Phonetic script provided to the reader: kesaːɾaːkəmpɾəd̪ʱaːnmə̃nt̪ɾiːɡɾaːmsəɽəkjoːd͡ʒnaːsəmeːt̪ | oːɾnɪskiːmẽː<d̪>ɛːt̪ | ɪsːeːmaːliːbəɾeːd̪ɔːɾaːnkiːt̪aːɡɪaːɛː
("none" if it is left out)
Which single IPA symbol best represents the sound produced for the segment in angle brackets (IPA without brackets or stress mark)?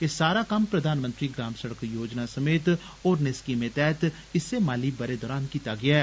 t̪